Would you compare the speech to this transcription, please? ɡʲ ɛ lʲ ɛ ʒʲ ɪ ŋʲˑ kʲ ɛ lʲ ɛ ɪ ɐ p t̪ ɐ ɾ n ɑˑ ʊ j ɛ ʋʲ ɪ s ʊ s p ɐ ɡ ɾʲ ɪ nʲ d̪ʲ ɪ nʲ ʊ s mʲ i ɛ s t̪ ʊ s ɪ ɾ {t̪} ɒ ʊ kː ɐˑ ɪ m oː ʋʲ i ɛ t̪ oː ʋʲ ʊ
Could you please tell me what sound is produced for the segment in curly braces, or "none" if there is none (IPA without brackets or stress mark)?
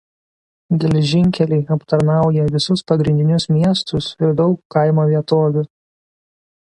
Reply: d̪